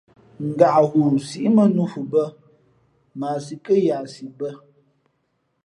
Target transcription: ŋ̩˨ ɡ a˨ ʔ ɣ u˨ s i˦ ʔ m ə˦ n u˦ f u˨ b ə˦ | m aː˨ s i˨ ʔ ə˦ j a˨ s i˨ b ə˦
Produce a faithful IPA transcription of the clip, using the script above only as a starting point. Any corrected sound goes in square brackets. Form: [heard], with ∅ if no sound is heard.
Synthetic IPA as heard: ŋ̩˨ ɡ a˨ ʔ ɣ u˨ s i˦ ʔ m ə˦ n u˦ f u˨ b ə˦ | m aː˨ s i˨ [k] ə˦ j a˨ s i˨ b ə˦